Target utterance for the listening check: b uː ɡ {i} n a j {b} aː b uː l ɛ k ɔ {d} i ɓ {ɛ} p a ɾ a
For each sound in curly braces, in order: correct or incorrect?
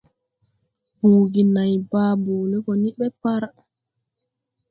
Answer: correct, correct, incorrect, correct

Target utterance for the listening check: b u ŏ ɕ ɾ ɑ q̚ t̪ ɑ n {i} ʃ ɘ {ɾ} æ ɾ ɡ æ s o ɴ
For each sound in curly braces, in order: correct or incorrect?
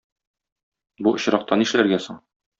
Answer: correct, incorrect

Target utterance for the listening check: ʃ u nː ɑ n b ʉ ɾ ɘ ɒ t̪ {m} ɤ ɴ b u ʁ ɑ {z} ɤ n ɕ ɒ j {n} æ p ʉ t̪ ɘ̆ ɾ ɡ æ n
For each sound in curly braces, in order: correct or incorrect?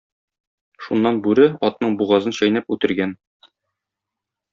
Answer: incorrect, correct, correct

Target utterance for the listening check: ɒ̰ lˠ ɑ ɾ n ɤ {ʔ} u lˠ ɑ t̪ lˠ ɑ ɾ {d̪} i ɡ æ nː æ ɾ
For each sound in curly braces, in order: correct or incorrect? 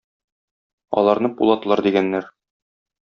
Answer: incorrect, correct

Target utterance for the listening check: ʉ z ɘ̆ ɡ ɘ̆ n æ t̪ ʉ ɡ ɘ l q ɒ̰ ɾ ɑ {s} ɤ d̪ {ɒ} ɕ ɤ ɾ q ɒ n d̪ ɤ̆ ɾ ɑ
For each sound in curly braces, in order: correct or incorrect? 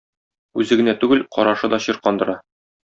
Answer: incorrect, correct

